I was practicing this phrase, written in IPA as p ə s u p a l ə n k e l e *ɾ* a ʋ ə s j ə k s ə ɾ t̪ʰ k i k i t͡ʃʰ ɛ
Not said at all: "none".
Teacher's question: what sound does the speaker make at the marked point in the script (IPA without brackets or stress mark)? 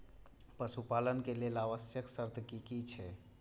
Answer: l